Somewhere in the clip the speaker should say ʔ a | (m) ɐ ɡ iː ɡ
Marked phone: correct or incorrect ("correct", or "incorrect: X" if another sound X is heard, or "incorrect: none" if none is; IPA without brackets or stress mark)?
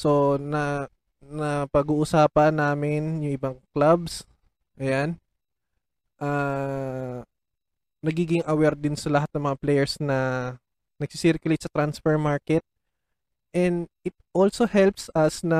incorrect: n